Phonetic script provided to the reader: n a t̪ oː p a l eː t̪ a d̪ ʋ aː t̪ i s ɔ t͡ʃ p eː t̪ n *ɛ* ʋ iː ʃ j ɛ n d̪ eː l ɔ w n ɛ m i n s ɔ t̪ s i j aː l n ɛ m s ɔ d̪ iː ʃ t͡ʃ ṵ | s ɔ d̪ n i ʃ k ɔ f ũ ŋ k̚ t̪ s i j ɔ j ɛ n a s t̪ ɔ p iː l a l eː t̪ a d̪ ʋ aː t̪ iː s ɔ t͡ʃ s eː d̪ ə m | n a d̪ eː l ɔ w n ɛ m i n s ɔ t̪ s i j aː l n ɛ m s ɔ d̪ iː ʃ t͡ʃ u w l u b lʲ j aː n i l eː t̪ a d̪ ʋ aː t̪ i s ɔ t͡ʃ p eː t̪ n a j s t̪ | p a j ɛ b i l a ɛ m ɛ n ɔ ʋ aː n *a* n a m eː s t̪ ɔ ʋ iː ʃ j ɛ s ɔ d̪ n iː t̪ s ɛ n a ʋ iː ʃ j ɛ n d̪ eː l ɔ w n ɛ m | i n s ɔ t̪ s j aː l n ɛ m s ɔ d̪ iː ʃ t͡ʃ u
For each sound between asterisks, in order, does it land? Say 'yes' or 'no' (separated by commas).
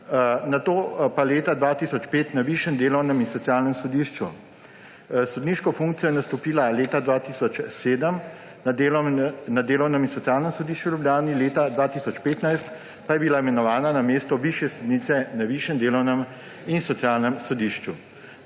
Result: no, yes